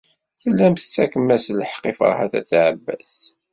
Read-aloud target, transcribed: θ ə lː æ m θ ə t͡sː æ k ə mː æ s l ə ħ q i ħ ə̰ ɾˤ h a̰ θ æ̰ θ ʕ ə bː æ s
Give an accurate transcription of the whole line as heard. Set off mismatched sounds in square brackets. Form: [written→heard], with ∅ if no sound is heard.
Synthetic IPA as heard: θ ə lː æ m θ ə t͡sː æ k ə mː æ s l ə ħ q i [ħ→f] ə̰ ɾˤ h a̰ θ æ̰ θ ʕ ə bː æ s